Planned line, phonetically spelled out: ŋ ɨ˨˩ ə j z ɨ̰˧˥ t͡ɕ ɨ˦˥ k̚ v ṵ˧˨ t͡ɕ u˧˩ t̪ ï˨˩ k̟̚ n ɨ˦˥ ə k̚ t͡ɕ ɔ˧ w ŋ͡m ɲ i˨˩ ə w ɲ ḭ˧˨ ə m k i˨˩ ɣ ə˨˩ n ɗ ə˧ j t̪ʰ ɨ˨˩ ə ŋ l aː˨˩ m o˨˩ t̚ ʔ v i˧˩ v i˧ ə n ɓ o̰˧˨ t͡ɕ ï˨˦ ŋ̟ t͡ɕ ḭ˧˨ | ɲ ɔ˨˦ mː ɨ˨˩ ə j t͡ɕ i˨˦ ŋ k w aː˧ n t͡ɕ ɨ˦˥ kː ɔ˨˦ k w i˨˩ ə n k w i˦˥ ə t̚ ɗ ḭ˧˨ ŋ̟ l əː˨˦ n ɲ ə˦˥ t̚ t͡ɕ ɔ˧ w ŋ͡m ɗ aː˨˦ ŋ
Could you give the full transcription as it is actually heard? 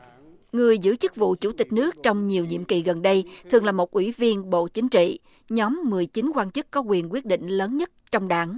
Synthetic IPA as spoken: ŋ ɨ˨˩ ə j z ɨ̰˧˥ t͡ɕ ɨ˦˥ k̚ v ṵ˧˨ t͡ɕ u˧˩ t̪ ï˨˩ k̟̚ n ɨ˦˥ ə k̚ t͡ɕ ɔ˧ w ŋ͡m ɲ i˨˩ ə w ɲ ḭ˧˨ ə m k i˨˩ ɣ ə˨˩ n ɗ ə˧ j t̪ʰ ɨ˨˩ ə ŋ l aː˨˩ m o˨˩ t̚ ʔ w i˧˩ v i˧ ə n ɓ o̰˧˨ t͡ɕ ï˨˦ ŋ̟ t͡ɕ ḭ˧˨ | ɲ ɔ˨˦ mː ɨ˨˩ ə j t͡ɕ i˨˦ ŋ k w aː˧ n t͡ɕ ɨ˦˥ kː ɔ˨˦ k w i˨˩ ə n k w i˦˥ ə t̚ ɗ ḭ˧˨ ŋ̟ l əː˨˦ n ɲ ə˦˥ t̚ t͡ɕ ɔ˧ w ŋ͡m ɗ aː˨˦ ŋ